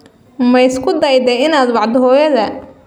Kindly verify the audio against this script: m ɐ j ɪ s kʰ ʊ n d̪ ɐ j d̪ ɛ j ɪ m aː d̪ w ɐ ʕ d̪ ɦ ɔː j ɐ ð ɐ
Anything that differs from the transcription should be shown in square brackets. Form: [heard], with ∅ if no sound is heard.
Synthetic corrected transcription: m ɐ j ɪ s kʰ ʊ [∅] d̪ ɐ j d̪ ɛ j ɪ [n] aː d̪ w [ɑ] ʕ d̪ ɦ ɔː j ɐ ð ɐ